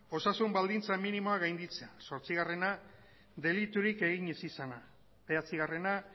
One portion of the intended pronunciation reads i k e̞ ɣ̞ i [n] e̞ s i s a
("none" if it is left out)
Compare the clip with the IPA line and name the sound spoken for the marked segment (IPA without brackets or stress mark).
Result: ɲ